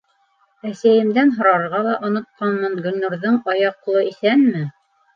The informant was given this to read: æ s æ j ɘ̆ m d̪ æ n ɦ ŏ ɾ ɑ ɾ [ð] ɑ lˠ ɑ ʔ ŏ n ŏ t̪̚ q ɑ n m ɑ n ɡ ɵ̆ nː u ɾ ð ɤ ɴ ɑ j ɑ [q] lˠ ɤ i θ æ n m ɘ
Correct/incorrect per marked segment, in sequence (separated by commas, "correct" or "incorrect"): incorrect, correct